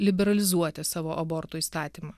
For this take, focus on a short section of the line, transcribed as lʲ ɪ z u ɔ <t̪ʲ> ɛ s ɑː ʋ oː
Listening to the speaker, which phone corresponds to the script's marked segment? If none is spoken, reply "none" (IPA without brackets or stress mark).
t̪ʲ